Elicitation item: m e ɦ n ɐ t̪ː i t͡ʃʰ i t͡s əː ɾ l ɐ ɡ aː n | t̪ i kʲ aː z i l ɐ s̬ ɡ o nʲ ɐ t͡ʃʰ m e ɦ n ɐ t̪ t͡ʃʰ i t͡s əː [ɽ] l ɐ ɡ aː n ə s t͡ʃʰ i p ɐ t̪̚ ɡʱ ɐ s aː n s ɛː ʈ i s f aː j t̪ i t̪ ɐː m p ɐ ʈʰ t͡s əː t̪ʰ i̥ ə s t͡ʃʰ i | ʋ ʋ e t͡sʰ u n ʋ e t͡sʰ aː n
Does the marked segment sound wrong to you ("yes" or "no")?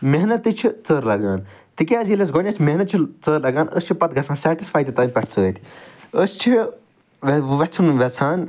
yes